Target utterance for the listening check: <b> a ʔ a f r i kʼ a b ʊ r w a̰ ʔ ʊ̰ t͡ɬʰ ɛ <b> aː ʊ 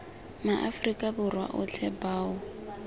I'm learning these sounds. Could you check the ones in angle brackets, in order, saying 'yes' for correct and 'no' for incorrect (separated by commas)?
no, yes